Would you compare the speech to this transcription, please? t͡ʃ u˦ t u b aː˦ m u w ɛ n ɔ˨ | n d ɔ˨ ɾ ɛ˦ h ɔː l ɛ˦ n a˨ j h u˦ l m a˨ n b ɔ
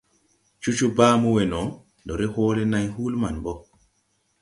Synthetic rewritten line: t͡ʃ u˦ t͡ʃ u b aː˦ m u w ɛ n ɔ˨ | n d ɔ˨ ɾ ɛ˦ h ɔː l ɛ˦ n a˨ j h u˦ l m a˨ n b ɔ